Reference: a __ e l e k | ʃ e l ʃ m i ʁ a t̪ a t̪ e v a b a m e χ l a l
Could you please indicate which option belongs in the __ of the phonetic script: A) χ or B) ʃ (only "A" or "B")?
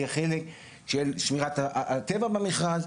A